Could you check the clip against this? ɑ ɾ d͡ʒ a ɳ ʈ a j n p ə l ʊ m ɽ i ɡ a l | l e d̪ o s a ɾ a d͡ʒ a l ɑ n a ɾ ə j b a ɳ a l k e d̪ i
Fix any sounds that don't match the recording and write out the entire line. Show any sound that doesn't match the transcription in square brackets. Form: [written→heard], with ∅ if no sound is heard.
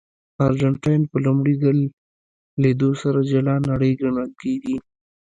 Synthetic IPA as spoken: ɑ ɾ d͡ʒ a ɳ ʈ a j n p ə l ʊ m ɽ i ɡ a l | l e d̪ o s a ɾ a d͡ʒ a l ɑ n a [ɾ→ɽ] ə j [b→ɡ] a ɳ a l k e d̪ i